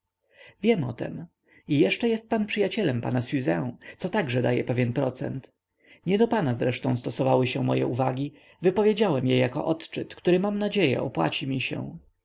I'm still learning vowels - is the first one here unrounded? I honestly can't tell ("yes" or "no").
yes